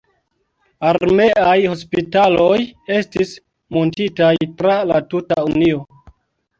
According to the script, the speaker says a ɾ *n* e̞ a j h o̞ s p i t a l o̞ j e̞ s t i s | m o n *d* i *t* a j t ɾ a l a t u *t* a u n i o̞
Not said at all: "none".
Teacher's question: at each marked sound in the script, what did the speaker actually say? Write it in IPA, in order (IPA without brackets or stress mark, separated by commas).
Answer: m, t, t, t